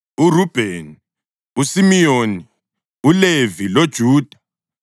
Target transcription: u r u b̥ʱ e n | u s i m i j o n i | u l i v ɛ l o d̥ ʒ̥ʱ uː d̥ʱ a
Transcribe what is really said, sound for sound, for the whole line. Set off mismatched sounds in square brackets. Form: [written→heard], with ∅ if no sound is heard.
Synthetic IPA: u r u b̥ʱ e n | u s i m i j o n i | u l [i→e] v [ɛ→i] l o d̥ ʒ̥ʱ uː d̥ʱ a